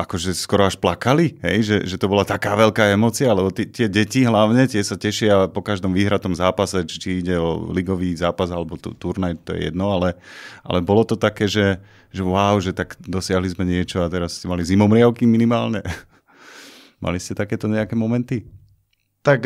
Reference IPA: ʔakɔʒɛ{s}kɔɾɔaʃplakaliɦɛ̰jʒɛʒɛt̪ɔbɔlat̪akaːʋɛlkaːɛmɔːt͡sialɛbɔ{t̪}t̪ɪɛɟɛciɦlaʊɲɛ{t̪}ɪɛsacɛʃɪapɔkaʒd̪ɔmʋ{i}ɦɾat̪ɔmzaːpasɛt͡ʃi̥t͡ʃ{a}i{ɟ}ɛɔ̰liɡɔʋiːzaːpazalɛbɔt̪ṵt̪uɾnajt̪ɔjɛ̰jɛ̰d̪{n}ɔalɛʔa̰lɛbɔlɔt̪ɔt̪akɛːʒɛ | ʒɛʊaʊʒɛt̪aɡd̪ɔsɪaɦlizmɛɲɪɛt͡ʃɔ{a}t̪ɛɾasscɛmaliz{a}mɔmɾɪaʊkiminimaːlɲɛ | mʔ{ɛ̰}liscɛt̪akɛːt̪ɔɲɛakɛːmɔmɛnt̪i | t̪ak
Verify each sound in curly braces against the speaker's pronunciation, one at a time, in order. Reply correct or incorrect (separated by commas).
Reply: correct, correct, correct, incorrect, incorrect, correct, correct, correct, incorrect, incorrect